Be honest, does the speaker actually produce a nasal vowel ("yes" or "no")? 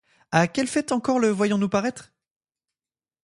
yes